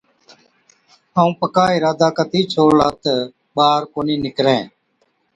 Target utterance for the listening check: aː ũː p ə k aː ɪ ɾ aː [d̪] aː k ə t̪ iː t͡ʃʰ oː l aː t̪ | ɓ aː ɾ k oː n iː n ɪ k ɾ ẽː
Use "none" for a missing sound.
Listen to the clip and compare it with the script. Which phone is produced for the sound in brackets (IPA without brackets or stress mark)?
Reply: d̪